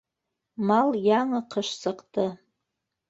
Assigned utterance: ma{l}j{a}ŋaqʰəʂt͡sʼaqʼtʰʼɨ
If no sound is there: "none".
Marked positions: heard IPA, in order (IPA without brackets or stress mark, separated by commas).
l, a